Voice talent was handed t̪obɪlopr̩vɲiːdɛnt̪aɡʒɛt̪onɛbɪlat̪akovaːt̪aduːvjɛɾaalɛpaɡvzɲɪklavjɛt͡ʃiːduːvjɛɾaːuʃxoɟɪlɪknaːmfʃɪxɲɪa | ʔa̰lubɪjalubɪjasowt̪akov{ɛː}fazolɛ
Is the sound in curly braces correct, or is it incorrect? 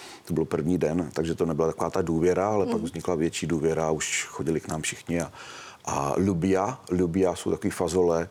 incorrect